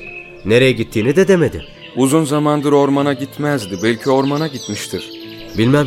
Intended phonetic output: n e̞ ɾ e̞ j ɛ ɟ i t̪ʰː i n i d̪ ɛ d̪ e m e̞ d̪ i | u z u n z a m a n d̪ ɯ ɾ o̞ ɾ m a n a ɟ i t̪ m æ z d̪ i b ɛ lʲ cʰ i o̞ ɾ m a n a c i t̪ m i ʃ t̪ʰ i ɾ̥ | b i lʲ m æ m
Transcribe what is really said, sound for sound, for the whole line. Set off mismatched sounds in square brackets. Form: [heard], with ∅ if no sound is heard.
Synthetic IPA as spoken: n e̞ ɾ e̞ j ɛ ɟ i t̪ʰː [iː] n i d̪ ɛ d̪ e m e̞ d̪ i | u z u n z a m a n d̪ ɯ ɾ o̞ ɾ m a n a ɟ i t̪ m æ z d̪ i b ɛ lʲ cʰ i o̞ ɾ m a n a [ɟ] i t̪ m i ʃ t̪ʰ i ɾ̥ | b i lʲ m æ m